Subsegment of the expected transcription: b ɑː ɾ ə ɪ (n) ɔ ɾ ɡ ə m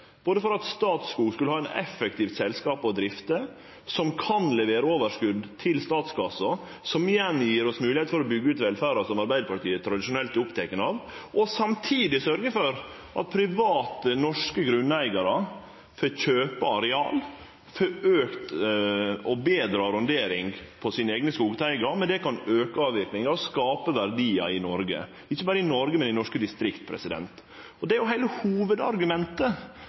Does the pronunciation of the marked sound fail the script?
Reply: no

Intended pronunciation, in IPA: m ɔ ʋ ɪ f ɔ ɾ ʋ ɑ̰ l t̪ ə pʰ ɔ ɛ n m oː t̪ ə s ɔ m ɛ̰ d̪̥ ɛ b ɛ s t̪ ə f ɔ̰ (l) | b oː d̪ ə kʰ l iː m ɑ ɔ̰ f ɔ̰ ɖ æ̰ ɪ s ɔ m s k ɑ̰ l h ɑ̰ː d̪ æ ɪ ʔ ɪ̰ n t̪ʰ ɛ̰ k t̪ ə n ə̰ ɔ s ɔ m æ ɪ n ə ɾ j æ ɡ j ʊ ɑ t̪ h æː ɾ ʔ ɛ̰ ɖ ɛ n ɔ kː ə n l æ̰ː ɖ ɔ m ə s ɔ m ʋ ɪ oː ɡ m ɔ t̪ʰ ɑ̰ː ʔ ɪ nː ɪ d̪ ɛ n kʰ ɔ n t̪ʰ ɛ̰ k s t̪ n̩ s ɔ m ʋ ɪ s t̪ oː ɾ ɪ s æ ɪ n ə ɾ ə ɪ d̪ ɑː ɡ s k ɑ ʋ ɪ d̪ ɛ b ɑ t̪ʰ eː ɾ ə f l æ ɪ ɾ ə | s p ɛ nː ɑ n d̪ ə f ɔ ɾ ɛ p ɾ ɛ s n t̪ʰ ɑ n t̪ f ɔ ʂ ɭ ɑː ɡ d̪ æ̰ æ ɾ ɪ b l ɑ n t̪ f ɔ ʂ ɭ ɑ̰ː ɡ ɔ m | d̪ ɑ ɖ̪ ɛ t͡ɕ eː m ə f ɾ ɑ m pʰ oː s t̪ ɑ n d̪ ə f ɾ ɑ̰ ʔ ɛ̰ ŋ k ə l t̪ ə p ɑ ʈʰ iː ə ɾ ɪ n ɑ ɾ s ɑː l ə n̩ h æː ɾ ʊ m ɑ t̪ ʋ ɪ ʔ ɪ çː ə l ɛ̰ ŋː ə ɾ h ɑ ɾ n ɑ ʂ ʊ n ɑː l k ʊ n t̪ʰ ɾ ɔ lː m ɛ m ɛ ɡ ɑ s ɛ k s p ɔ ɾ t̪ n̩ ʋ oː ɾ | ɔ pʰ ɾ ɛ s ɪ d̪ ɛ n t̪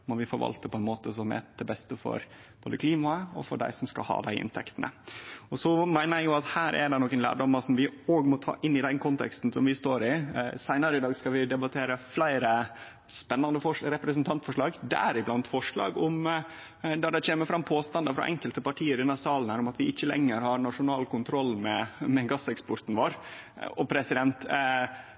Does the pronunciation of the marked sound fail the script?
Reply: yes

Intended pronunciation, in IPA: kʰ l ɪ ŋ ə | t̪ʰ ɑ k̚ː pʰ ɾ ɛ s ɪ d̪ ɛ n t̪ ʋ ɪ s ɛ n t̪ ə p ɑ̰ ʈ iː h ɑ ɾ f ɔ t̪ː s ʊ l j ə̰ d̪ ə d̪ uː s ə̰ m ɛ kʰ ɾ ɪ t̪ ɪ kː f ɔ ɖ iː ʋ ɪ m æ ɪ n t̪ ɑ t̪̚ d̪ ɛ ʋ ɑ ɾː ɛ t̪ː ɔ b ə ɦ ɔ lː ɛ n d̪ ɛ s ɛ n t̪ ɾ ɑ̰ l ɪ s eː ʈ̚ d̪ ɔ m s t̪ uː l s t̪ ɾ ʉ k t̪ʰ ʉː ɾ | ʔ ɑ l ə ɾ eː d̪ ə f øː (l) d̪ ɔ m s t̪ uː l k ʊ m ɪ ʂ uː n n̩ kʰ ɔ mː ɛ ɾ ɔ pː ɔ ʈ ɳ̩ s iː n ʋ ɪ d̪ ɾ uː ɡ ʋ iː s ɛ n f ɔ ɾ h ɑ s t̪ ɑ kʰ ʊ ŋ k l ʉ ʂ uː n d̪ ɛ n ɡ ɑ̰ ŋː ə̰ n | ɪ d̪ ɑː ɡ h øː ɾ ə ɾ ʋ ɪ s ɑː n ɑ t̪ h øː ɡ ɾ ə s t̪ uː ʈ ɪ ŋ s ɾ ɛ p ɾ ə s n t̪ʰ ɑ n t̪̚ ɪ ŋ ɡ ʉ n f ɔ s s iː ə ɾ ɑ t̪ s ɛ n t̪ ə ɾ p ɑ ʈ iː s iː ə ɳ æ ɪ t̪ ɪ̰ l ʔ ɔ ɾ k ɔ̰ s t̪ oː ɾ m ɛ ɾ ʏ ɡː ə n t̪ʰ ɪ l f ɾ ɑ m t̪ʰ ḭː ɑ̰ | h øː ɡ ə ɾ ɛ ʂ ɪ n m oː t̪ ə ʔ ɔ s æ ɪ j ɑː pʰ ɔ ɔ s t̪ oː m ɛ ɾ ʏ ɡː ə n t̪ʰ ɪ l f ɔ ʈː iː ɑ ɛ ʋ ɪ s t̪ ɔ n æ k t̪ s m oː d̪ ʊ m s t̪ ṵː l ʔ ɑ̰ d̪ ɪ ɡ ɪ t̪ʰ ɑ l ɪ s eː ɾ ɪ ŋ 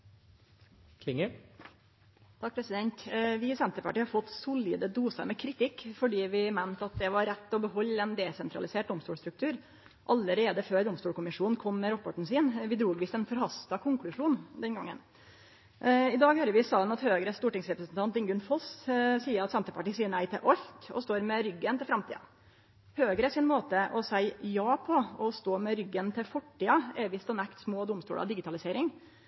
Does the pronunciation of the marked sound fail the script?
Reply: yes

